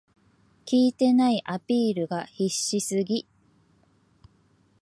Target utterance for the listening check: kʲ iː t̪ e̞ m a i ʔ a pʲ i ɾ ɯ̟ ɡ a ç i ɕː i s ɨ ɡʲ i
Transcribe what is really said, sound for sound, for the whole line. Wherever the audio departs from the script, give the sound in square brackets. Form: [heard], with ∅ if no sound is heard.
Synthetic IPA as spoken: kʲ iː t̪ e̞ [n] a i ʔ a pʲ [iː] ɾ ɯ̟ ɡ a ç i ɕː i s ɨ ɡʲ i